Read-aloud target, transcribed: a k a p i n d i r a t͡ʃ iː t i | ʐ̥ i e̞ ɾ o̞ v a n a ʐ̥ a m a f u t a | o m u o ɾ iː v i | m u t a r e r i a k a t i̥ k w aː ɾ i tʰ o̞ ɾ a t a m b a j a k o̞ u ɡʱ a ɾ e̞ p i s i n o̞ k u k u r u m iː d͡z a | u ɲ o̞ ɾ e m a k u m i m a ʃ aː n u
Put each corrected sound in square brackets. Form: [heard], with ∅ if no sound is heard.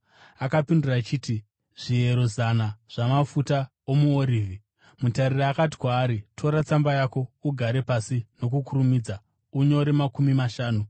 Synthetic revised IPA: a k a p i n d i r a t͡ʃ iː t i | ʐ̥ i e̞ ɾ o̞ [z] a n a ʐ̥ a m a f u t a | o m u o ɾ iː v i | m u t a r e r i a k a t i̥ k w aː ɾ i tʰ o̞ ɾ a [t͡s] a m b a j a k o̞ u ɡʱ a ɾ e̞ p [a] s i n o̞ k u k u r u m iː d͡z a | u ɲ o̞ ɾ e m a k u m i m a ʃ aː n u